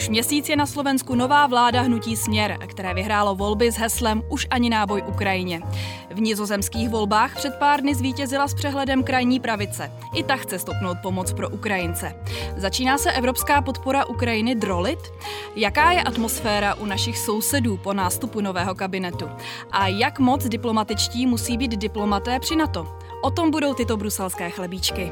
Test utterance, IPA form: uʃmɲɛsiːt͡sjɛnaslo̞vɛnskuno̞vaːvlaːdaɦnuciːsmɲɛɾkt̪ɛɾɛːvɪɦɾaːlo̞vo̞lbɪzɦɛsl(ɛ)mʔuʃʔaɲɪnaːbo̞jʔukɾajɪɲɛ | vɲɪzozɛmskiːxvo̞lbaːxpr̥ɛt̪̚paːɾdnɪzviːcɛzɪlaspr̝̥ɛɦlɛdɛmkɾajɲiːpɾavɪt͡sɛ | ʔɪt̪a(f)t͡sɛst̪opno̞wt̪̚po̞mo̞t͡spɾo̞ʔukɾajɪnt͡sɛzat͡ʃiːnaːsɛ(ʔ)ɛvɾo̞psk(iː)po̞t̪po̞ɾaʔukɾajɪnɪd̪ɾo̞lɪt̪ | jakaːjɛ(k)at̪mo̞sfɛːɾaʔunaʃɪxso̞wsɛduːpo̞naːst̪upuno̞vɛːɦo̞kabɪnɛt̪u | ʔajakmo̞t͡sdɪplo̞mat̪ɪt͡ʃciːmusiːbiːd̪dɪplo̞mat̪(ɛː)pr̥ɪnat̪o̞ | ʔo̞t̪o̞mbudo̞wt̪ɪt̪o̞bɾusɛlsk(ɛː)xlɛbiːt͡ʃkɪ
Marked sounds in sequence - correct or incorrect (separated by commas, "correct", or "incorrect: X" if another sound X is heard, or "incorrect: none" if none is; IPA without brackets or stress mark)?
correct, incorrect: x, correct, incorrect: aː, incorrect: ʔ, correct, correct